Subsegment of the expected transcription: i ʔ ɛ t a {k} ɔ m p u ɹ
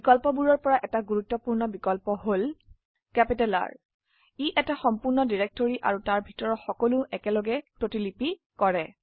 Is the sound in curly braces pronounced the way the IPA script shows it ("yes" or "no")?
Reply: no